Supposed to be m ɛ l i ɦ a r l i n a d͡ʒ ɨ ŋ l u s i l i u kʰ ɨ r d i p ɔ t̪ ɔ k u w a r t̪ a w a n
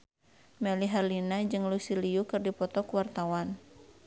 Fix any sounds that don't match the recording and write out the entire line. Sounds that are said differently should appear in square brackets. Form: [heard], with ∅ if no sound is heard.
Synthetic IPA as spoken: m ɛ l i ɦ a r l i n a d͡ʒ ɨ ŋ l u s i l i u [k] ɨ r d i p ɔ t̪ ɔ k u w a r t̪ a w a n